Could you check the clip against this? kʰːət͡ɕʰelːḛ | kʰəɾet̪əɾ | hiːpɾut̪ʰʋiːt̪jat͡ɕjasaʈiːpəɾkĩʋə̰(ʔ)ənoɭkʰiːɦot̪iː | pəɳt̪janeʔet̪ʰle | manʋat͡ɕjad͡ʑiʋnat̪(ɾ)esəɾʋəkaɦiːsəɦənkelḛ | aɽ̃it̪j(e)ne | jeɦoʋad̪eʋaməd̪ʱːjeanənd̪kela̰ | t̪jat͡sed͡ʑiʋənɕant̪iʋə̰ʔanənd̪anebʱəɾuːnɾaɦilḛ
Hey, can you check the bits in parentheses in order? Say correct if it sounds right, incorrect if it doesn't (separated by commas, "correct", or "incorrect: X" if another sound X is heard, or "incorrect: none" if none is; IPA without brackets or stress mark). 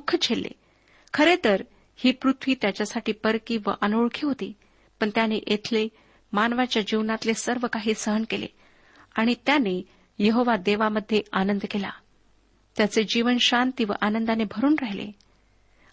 correct, incorrect: l, incorrect: a